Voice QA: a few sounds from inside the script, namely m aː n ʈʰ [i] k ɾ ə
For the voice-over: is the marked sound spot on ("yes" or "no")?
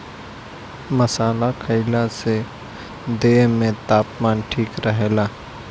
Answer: no